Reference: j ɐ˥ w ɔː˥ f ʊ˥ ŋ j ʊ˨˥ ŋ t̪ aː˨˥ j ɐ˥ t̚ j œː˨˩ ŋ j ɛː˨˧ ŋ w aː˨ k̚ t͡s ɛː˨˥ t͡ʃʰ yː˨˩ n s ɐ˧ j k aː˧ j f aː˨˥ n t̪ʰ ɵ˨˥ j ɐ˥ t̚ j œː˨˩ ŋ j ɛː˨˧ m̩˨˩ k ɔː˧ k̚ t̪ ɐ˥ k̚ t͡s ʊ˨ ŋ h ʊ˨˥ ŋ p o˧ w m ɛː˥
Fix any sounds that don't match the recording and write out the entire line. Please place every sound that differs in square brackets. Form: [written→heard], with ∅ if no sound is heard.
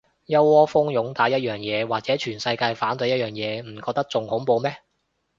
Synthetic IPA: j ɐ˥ w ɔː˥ f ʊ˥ ŋ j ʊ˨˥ ŋ t̪ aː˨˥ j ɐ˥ t̚ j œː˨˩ ŋ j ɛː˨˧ [ŋ→∅] w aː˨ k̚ t͡s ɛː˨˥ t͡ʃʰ yː˨˩ n s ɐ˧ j k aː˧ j f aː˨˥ n [t̪ʰ→t̪] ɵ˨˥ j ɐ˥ t̚ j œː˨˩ ŋ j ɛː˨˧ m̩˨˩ k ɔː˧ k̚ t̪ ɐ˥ k̚ t͡s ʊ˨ ŋ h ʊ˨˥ ŋ p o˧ w m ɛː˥